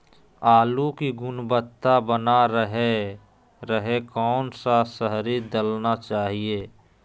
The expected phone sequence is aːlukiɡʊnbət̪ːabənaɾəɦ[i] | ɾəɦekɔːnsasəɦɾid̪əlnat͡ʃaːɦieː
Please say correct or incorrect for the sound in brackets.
incorrect